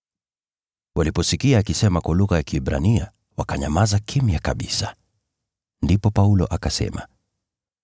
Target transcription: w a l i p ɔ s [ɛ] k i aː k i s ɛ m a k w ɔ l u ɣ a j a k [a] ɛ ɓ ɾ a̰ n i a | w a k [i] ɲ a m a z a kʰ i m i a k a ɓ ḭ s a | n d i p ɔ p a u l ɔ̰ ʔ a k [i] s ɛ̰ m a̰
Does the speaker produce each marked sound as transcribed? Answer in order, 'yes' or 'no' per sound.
no, no, no, no

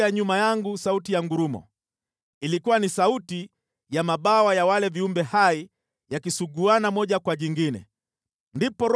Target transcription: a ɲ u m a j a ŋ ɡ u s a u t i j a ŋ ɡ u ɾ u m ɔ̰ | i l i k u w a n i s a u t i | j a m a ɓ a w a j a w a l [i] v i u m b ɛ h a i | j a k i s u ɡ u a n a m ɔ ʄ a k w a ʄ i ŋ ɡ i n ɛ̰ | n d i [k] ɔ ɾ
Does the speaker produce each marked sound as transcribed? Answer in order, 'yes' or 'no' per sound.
no, no

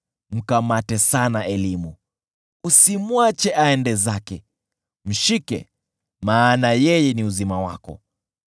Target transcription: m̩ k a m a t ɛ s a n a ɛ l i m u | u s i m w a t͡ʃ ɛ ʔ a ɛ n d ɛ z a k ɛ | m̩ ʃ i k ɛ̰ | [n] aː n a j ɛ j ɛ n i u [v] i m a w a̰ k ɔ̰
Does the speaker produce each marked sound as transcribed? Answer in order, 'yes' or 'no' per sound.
no, no

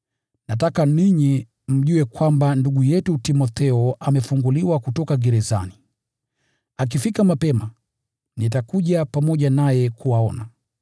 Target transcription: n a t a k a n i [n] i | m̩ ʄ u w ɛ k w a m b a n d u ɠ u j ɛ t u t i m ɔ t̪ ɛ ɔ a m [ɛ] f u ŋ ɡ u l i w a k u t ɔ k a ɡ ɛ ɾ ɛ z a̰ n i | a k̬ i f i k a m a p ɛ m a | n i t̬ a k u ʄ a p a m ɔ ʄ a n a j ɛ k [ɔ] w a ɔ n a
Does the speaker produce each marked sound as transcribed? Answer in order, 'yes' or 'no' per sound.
no, yes, no

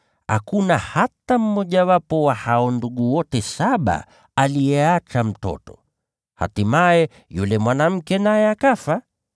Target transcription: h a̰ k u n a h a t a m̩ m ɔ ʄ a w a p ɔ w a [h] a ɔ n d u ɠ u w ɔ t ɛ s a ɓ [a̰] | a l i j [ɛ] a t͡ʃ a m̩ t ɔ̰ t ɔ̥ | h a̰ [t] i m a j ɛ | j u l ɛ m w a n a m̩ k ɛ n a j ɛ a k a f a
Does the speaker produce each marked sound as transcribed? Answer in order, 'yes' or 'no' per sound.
yes, yes, yes, yes

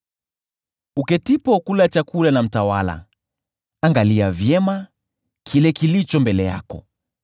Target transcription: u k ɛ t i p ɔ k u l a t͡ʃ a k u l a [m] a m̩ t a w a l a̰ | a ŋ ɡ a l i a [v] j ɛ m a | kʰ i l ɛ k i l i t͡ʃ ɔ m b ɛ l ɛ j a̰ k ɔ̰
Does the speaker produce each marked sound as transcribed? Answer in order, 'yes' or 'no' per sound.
no, yes

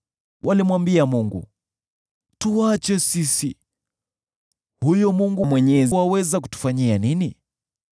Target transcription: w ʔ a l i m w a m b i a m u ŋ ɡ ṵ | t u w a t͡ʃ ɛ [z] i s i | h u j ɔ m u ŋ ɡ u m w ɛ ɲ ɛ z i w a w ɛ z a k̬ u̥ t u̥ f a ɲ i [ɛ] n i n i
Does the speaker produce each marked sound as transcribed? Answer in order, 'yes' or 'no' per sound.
no, no

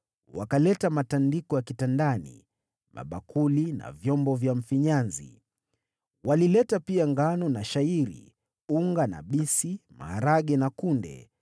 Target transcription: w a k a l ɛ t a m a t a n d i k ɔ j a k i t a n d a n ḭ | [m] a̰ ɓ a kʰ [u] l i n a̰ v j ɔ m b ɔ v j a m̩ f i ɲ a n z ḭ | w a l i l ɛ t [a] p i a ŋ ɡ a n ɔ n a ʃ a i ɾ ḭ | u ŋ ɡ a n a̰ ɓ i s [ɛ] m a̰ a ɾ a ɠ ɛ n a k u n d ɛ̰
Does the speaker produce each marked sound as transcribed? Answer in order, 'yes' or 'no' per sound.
yes, yes, yes, no

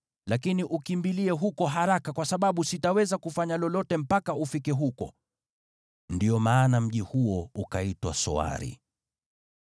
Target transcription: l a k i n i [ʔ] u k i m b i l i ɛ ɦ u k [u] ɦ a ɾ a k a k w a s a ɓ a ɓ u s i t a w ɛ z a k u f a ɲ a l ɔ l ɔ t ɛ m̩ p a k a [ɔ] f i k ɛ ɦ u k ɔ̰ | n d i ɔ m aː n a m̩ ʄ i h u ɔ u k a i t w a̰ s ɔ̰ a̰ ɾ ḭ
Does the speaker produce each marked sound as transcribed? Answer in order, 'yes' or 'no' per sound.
yes, no, no

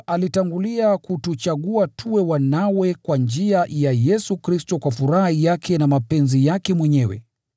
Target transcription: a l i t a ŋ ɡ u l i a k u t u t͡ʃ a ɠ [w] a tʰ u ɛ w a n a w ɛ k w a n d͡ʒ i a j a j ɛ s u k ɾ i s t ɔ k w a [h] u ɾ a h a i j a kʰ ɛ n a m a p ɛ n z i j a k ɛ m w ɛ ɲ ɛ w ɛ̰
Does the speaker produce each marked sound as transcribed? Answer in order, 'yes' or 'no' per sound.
no, no

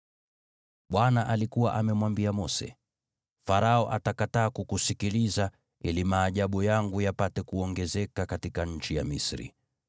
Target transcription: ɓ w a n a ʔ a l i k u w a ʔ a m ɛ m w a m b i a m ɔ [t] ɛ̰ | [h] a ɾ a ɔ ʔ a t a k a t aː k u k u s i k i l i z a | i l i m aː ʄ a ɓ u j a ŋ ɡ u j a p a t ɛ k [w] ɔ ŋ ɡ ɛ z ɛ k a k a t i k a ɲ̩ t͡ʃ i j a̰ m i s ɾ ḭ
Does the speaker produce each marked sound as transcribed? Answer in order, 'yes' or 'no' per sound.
no, no, no

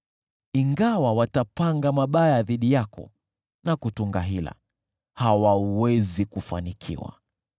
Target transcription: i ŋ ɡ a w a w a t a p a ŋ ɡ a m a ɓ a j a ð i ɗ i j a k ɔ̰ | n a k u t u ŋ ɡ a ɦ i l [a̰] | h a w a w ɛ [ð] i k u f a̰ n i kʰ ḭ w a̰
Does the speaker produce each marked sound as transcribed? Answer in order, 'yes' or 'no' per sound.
yes, no

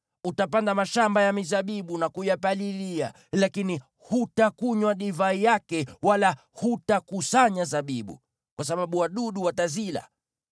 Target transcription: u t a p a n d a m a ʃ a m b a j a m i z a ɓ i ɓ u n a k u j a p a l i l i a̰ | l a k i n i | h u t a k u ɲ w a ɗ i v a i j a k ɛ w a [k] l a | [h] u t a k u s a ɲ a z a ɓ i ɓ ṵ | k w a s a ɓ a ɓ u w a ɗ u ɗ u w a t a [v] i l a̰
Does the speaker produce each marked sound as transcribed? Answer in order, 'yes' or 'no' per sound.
no, yes, no

